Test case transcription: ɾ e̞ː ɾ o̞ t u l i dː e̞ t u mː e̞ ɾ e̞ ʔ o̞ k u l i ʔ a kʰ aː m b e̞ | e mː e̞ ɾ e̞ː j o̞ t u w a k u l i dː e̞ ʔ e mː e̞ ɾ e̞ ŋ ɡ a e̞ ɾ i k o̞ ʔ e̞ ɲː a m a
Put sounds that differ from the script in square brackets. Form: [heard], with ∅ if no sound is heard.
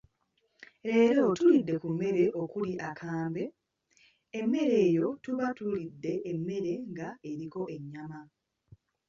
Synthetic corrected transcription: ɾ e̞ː ɾ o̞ t u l i dː e̞ [k] u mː e̞ ɾ e̞ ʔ o̞ k u l i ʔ a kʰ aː m b e̞ | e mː e̞ ɾ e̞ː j o̞ t u [β] a [t] u l i dː e̞ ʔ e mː e̞ ɾ e̞ ŋ ɡ a e̞ ɾ i k o̞ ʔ e̞ ɲː a m a